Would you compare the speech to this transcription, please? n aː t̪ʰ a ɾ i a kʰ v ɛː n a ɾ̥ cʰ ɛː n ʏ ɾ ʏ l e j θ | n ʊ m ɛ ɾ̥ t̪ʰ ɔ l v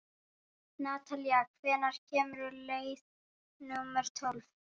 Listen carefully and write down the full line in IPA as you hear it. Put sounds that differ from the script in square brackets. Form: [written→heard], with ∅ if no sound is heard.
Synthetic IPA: n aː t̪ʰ a [ɾ→l] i a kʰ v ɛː n a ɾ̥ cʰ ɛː [n→m] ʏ ɾ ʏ l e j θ | n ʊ m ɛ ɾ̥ t̪ʰ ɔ l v